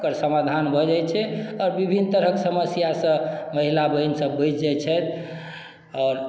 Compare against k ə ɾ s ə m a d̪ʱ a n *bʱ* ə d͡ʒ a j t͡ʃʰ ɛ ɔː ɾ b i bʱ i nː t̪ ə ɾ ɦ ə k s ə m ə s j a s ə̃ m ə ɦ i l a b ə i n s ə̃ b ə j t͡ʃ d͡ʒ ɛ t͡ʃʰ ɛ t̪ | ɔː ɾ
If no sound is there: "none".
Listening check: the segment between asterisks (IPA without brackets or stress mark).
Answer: bʱ